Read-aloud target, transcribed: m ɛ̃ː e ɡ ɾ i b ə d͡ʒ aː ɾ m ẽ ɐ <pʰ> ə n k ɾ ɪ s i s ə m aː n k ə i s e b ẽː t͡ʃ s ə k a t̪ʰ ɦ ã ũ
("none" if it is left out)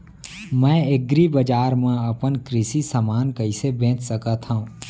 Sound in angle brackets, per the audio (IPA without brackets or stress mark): p